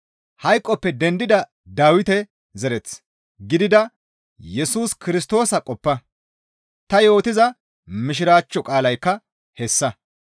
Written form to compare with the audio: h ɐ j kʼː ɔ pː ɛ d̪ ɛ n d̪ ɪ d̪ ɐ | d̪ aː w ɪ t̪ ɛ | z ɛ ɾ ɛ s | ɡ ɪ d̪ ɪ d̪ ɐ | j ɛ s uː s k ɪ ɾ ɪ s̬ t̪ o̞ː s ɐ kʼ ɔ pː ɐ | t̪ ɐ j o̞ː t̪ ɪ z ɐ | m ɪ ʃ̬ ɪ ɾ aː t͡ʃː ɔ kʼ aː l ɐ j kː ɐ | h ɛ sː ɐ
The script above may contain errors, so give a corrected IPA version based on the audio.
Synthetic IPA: h ɐ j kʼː ɔ pː ɛ d̪ ɛ n d̪ ɪ d̪ ɐ | d̪ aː w ɪ t̪ ɛ | z ɛ ɾ ɛ t͡s | ɡ ɪ d̪ ɪ d̪ ɐ | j ɛ s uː s k ɪ ɾ ɪ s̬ t̪ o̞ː s ɐ kʼ ɔ pː ɐ | t̪ ɐ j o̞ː t̪ ɪ z ɐ | m ɪ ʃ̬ ɪ ɾ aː t͡ʃː ɔ kʼ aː l ɐ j kː ɐ | h ɛ sː ɐ